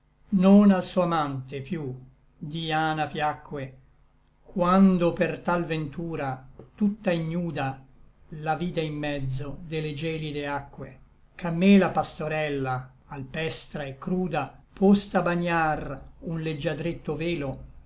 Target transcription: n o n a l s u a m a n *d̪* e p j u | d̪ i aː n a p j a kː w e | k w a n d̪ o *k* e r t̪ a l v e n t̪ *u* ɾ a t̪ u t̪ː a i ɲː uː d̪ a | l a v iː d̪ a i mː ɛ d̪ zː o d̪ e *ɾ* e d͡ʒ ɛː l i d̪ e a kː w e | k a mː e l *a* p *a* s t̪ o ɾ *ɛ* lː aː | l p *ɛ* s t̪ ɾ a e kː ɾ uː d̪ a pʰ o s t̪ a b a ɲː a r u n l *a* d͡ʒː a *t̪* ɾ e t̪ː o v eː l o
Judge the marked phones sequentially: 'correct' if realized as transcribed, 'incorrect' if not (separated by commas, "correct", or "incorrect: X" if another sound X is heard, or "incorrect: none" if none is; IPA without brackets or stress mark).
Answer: incorrect: t̪, incorrect: p, incorrect: uː, incorrect: l, correct, correct, correct, correct, incorrect: e, incorrect: d̪